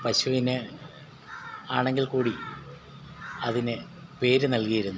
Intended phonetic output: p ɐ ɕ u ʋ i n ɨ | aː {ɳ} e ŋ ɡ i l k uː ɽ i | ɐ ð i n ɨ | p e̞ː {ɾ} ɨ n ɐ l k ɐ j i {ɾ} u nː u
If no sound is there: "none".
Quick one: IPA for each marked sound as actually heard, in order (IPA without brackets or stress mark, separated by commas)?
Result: ɳ, ɾ, ɾ